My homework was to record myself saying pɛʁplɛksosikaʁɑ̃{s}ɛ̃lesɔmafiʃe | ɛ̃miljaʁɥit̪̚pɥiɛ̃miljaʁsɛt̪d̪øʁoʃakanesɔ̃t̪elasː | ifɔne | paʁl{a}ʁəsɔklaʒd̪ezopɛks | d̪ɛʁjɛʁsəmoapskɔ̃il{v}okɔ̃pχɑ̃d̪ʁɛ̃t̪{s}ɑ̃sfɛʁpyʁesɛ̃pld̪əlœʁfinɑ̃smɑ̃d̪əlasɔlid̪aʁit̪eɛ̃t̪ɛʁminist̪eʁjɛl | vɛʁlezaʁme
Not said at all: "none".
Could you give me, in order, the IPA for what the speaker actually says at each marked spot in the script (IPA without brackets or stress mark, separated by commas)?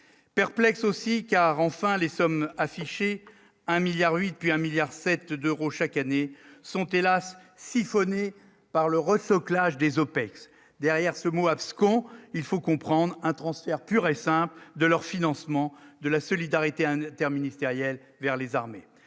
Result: f, ə, f, χ